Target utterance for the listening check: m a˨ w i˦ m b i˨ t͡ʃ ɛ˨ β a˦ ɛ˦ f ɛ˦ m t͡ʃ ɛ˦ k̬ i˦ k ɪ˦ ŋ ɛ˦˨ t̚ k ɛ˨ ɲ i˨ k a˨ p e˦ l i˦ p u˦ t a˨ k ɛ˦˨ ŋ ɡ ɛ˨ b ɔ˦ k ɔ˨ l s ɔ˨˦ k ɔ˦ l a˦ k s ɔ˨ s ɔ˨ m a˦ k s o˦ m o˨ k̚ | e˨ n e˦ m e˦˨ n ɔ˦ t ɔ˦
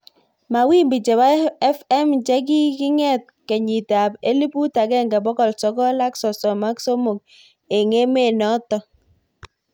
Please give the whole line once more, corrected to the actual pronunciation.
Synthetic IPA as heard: m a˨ w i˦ m b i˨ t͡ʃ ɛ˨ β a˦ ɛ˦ f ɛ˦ m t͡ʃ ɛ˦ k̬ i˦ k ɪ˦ ŋ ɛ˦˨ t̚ k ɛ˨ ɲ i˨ t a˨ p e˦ l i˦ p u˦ t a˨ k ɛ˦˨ ŋ ɡ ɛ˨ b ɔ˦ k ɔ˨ l s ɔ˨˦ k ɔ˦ l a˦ k s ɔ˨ s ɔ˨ m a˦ k s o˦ m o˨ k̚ | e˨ ŋ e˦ m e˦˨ n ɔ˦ t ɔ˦